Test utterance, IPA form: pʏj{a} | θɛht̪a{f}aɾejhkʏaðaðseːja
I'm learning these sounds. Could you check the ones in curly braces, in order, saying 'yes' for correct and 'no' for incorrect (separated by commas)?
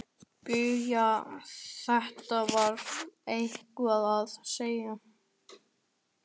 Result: yes, no